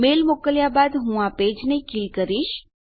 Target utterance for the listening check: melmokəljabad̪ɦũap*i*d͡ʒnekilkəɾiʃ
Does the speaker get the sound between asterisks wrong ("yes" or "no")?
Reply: yes